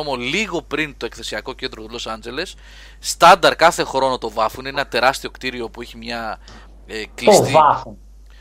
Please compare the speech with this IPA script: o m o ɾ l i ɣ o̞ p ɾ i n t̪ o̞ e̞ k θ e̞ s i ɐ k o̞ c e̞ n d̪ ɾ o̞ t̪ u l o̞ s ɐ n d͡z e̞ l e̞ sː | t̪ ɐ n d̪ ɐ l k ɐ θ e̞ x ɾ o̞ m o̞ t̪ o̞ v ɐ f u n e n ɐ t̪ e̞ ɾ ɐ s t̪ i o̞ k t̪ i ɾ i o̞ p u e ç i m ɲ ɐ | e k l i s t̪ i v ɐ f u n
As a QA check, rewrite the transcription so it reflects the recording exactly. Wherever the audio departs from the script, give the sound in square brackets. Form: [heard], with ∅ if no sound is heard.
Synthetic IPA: o m o [∅] l i ɣ o̞ p ɾ i n t̪ o̞ e̞ k θ e̞ s i ɐ k o̞ c e̞ n d̪ ɾ o̞ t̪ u l o̞ s ɐ n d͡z e̞ l e̞ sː | t̪ ɐ n d̪ ɐ [ɾ] k ɐ θ e̞ x ɾ o̞ [n] o̞ t̪ o̞ v ɐ f u n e n ɐ t̪ e̞ ɾ ɐ s t̪ i o̞ k t̪ i ɾ i o̞ p u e ç i m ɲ ɐ | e k l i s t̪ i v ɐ f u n